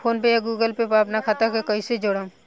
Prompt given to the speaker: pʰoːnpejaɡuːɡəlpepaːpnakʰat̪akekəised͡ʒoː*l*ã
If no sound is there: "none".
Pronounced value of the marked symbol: ɽ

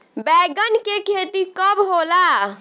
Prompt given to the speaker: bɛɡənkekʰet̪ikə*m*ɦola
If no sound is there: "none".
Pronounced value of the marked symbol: b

